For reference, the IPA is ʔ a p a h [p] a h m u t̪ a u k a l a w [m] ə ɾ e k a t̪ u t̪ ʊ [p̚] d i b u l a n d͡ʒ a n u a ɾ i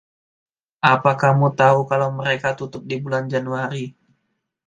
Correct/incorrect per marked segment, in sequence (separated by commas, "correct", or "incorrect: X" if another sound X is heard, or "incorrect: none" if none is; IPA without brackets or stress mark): incorrect: k, correct, correct